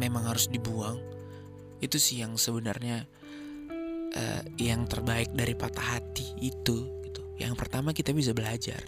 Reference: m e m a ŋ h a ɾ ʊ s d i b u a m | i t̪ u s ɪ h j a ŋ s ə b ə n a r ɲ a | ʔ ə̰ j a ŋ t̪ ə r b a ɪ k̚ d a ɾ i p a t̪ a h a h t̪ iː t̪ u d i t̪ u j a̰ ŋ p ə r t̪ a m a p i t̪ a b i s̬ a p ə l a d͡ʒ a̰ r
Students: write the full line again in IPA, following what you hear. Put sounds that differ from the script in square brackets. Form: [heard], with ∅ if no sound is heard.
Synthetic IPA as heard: m e m a ŋ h a ɾ ʊ s d i b u a [ŋ] | i t̪ u s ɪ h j a ŋ s ə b ə n a r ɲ a | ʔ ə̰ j a ŋ t̪ ə r b a ɪ k̚ d a ɾ i p a t̪ a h a [∅] t̪ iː t̪ u [ɡ] i t̪ u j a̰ ŋ p ə r t̪ a m a [k] i t̪ a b i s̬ a [b] ə l a d͡ʒ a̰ r